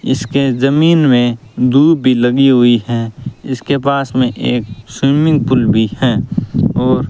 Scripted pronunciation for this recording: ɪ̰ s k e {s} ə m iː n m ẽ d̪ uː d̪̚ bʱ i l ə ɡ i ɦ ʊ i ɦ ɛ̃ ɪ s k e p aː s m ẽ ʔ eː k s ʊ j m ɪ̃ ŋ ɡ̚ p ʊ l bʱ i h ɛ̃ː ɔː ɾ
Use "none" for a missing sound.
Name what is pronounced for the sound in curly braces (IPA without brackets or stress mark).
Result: z